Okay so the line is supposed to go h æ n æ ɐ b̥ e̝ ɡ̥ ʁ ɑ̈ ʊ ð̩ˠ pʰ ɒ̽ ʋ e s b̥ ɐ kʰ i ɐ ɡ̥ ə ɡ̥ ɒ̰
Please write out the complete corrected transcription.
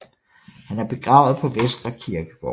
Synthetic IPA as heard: h æ n æ ɐ b̥ e̝ ɡ̥ ʁ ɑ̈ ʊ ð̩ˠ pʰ ɒ̽ ʋ e s d̥ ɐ kʰ i ɐ ɡ̥ ə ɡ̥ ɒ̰